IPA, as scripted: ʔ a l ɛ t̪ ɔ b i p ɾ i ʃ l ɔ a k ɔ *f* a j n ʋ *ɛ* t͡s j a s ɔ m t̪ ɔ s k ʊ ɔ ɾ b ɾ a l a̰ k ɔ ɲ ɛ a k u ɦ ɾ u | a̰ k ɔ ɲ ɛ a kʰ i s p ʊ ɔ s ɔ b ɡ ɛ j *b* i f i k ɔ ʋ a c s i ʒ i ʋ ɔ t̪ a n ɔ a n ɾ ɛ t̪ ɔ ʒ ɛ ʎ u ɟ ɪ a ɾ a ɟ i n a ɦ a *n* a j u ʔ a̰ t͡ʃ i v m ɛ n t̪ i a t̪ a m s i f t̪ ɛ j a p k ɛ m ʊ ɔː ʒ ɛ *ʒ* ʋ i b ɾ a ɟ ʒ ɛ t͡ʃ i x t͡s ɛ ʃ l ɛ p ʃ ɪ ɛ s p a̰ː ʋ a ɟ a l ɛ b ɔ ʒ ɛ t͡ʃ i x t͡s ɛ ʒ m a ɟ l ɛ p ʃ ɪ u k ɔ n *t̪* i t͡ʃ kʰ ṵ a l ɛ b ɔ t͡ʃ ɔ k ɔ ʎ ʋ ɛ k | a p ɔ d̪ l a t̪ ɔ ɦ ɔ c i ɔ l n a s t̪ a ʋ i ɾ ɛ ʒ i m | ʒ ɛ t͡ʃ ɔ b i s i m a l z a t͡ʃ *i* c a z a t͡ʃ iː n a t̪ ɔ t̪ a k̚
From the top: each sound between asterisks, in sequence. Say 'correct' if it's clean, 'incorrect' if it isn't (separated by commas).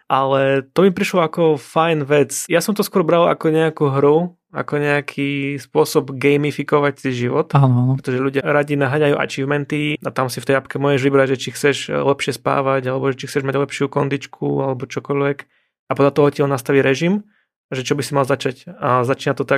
correct, correct, incorrect, incorrect, correct, incorrect, incorrect